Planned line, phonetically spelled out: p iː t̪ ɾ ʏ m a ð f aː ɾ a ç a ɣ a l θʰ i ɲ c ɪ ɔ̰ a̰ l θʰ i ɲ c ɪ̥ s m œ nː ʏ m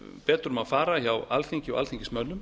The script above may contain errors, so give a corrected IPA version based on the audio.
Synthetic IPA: p ɛː t̪ ɾ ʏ m a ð f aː ɾ a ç a w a l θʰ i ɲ c ɪ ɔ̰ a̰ l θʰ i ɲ c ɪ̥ s m œ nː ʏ m

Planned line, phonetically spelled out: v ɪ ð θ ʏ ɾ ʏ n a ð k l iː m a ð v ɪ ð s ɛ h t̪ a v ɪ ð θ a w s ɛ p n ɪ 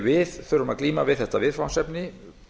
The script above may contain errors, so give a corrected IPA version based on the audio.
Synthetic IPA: v ɪ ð θ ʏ ɾ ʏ m a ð k l iː m a v ɪ ð θ ɛ h t̪ a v ɪ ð f a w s ɛ p n ɪ

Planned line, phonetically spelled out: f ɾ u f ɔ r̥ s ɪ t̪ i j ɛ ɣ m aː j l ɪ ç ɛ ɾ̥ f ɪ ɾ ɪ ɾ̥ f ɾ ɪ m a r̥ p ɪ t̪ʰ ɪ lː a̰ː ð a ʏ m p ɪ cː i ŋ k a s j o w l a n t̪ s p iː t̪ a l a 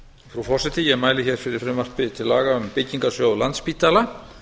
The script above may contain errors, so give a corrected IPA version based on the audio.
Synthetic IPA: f ɾ u f ɔ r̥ s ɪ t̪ ɪ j ɛ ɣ m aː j l ɪ ç ɛ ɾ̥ f ɪ ɾ ɪ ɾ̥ f ɾ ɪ m a r̥ p ɪ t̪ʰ ɪ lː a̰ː ɣ a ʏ m p ɪ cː i ŋ k a s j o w l a n t̪ s p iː t̪ a l a

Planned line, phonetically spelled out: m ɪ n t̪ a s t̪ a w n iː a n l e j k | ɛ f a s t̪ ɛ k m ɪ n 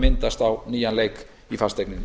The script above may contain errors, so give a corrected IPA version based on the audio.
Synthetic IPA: m ɪ n t̪ a s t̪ a w n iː a n l e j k | i f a s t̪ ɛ k n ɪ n

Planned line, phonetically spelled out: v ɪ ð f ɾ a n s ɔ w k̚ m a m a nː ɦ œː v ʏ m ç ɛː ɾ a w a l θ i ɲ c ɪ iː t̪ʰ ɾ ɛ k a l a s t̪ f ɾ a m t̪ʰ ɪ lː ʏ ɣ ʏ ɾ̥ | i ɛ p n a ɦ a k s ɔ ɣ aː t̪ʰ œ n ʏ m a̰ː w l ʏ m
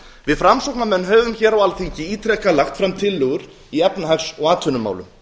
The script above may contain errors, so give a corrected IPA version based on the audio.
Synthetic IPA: v ɪ ð f ɾ a m s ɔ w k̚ n a m ɛ nː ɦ œː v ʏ m ç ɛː ɾ a w a l θ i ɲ c ɪ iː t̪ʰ ɾ ɛ k a l a x t̪ f ɾ a m t̪ʰ ɪ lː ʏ ɣ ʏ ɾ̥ | i ɛ p n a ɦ a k s ɔ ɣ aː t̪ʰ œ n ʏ m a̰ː w l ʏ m

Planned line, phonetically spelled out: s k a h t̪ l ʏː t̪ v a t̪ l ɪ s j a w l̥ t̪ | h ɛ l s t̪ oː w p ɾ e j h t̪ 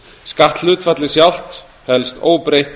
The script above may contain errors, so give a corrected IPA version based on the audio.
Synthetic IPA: s k a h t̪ l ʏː t̪ f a t̪ l ɪ s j a w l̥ t̪ | h ɛ l s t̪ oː w p ɾ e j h t̪

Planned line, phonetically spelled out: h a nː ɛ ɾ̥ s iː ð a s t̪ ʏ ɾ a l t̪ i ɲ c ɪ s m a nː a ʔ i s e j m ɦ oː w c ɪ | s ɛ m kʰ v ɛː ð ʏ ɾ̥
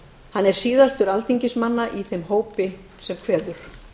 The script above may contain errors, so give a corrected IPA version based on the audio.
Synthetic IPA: h a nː ɛ ɾ̥ s iː ð a s t̪ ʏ ɾ a l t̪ i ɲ c ɪ s m a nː a ʔ i θ e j m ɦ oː w p ɪ | s ɛ m kʰ v ɛː ð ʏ ɾ̥

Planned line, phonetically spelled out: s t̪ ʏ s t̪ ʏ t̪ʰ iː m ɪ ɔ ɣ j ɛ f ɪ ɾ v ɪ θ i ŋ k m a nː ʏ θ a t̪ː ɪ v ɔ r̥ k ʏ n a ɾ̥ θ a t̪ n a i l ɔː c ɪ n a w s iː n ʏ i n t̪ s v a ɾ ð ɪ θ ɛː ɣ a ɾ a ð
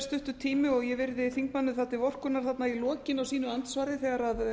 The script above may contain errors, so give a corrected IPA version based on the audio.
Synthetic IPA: s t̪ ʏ h t̪ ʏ t̪ʰ iː m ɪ ɔ ɣ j ɛ v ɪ ɾ ð ɪ θ i ŋ k m a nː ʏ θ a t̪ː ɪ v ɔ r̥ k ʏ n a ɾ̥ θ a t̪ n a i l ɔː c ɪ n a w s iː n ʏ a n t̪ s v a ɾ ð ɪ θ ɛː ɣ a ɾ a ð

